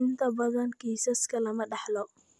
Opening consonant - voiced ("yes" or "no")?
yes